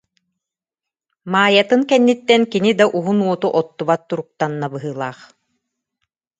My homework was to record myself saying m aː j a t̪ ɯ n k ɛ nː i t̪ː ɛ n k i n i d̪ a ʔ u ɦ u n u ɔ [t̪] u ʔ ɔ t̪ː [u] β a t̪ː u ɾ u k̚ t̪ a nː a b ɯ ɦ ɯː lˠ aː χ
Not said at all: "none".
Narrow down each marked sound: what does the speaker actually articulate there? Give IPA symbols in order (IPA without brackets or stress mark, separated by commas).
t̪, u